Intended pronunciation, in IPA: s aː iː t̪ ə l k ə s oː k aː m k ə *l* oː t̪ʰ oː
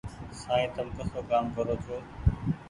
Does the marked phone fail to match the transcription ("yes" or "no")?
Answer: yes